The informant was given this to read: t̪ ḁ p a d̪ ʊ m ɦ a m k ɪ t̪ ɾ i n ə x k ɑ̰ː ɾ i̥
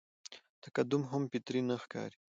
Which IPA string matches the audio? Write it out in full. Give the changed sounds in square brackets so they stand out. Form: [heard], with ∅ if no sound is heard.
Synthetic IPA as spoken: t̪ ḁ [k] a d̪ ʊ m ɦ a m [p] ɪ t̪ ɾ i n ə x k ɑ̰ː ɾ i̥